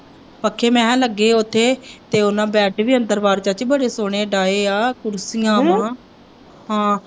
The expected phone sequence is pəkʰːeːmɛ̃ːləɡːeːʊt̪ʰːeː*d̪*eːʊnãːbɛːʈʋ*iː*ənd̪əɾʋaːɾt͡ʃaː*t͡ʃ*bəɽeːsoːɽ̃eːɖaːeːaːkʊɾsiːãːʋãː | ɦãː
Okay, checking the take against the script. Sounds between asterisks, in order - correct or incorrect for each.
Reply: incorrect: t̪, correct, correct

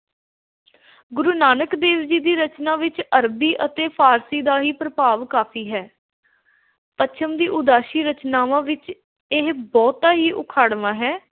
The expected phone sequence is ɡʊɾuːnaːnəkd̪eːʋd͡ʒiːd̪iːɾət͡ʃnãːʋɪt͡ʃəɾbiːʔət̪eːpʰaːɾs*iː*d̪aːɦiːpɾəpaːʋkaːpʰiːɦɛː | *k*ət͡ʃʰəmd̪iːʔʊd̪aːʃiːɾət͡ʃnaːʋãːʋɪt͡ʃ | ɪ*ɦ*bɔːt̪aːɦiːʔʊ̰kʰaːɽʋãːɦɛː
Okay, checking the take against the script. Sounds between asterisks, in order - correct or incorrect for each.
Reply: correct, incorrect: p, correct

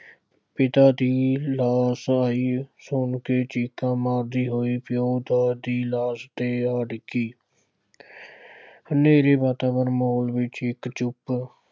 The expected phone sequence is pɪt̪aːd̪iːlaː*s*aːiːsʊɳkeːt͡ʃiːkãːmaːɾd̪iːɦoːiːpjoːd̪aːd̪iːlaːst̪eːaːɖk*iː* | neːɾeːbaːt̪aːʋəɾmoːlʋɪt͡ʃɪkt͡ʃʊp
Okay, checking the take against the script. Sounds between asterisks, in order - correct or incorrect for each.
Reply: correct, correct

